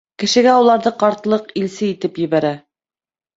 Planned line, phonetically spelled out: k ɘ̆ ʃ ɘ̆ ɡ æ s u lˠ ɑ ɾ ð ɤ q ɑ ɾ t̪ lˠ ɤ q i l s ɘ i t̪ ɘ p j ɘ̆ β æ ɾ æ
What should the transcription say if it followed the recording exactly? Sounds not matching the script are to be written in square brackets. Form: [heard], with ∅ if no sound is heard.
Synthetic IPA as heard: k ɘ̆ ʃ ɘ̆ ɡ æ [∅] u lˠ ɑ ɾ ð ɤ q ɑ ɾ t̪ lˠ ɤ q i l s ɘ i t̪ ɘ p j ɘ̆ β æ ɾ æ